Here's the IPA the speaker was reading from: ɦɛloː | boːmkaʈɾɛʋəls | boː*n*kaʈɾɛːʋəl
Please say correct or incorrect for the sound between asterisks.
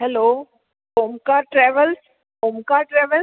incorrect